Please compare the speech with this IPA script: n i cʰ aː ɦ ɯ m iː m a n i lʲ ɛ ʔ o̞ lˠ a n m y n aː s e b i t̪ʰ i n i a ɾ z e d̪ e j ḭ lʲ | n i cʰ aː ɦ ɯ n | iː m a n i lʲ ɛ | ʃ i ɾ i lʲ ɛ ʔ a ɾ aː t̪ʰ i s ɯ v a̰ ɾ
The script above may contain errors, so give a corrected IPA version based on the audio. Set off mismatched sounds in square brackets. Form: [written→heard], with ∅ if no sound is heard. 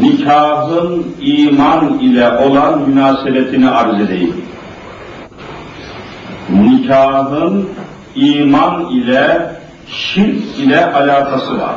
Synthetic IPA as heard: n i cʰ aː ɦ ɯ [m→n] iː m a n i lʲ ɛ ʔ o̞ lˠ a n m y n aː s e b [i→ɛ] t̪ʰ i n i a ɾ z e d̪ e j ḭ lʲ | n i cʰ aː ɦ ɯ n | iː m a n i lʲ ɛ | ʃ i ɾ i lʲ ɛ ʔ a [ɾ→l] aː t̪ʰ [i→a] s ɯ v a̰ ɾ